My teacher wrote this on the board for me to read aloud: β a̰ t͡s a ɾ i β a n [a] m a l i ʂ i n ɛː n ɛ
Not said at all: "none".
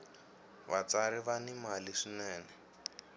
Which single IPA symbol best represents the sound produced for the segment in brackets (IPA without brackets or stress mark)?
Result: i